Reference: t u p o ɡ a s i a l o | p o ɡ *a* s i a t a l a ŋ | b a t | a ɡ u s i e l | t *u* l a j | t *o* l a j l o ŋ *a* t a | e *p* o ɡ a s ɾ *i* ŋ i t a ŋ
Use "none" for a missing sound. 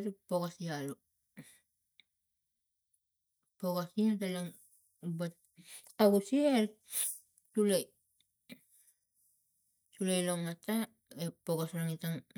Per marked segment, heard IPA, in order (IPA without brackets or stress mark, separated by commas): a, u, u, a, p, a